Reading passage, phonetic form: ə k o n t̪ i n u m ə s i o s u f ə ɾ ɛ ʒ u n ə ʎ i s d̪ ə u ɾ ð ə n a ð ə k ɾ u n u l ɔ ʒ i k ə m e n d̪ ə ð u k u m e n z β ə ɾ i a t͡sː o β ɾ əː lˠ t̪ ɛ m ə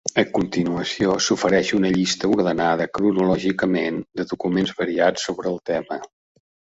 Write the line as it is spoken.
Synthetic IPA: ə k u n t̪ i n u ə s i o s u f ə ɾ ɛ ʃ u n ə ʎ i s t̪ ə u ɾ ð ə n a ð ə k ɾ u n u l ɔ ʒ i k ə m e n d̪ ə ð u k u m e n z β ə ɾ i a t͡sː o β ɾ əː lˠ t̪ ɛ m ə

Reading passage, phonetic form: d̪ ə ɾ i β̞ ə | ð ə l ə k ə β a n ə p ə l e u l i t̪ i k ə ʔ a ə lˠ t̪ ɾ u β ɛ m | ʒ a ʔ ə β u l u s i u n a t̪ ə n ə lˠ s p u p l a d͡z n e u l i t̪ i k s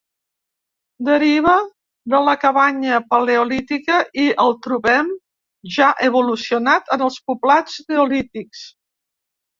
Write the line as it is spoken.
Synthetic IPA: d̪ ə ɾ i β̞ ə | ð ə l ə k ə β a ɲ ə p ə l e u l i t̪ i k ə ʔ i ə lˠ t̪ ɾ u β ɛ m | ʒ a ʔ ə β u l u s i u n a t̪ ə n ə lˠ s p u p l a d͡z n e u l i t̪ i k s

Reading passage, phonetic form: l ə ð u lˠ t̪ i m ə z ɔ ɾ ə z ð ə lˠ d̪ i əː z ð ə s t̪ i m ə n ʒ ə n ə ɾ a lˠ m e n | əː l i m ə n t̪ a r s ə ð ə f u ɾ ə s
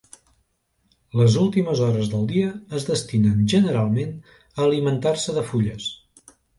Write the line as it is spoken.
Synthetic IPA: l ə z u lˠ t̪ i m ə z ɔ ɾ ə z ð ə lˠ d̪ i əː z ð ə s t̪ i n ə n ʒ ə n ə ɾ a lˠ m e n | əː l i m ə n t̪ a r s ə ð ə f u ʎ ə s

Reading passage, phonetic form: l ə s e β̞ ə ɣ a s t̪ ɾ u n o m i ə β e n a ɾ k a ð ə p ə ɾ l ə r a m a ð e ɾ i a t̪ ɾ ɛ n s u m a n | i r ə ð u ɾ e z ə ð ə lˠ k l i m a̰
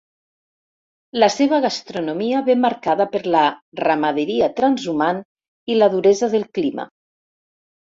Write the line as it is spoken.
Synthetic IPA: l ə s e β̞ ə ɣ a s t̪ ɾ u n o m i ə β e m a ɾ k a ð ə p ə ɾ l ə r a m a ð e ɾ i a t̪ ɾ a n z u m a n | i l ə ð u ɾ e z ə ð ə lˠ k l i m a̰

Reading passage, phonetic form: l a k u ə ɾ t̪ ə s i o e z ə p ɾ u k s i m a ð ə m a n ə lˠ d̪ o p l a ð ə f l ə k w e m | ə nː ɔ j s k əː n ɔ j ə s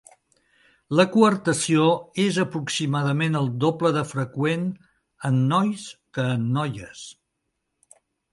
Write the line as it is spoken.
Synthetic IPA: l ə k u ə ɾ t̪ ə s i o e z ə p ɾ u k s i m a ð ə m e n ə lˠ d̪ o p l ə ð ə f ɾ ə k w e n | ə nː ɔ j s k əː nː ɔ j ə s

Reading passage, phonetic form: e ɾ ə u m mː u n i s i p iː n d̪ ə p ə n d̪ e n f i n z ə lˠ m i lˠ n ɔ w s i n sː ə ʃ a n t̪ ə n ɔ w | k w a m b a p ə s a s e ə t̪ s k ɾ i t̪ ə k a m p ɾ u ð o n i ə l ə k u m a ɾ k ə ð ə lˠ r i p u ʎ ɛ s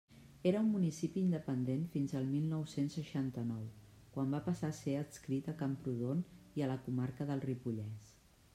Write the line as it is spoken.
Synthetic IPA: e ɾ ə u m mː u n i s i p iː n d̪ ə p ə n d̪ e n f i n z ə lˠ m i lˠ n ɔ w s e n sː ə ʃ a n t̪ ə n ɔ w | k w a m b a p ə s a s e ə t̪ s k ɾ i t̪ ə k a m p ɾ u ð o n i ə l ə k u m a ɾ k ə ð ə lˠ r i p u ʎ ɛ s

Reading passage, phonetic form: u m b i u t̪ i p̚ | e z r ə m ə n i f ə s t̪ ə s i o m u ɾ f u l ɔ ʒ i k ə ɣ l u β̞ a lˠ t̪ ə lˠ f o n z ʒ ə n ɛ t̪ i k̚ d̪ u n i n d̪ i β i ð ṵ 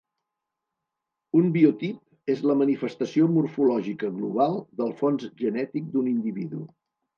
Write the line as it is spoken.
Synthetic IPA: u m b i u t̪ i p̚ | e z l ə m ə n i f ə s t̪ ə s i o m u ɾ f u l ɔ ʒ i k ə ɣ l u β̞ a lˠ d̪ ə lˠ f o n z ʒ ə n ɛ t̪ i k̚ d̪ u n i n d̪ i β i ð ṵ

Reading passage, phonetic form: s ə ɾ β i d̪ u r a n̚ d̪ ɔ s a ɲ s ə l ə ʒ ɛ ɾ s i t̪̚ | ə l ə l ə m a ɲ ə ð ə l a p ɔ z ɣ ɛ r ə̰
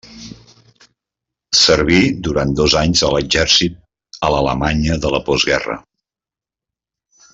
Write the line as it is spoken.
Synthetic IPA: s ə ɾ β i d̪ u ɾ a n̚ d̪ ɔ z a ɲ z ə l ə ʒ ɛ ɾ s i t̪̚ | ə l ə l ə m a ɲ ə ð ə l ə p ɔ z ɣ ɛ r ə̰

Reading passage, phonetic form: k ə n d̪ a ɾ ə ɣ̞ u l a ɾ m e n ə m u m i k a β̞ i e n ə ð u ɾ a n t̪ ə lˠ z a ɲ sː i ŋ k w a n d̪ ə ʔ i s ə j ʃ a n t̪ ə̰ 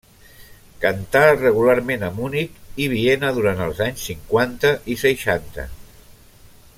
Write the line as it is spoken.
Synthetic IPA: k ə n t̪ a r ə ɣ̞ u l a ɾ m e n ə m u n i k i β̞ i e n ə ð u ɾ a n t̪ ə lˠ z a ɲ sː i ŋ k w a n t̪ ə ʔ i s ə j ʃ a n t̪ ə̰

